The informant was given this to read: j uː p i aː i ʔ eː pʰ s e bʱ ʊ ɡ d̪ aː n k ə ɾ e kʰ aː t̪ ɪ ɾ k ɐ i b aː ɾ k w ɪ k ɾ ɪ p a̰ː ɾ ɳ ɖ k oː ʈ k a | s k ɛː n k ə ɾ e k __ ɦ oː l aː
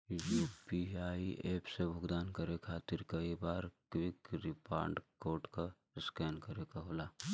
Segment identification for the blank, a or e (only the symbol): a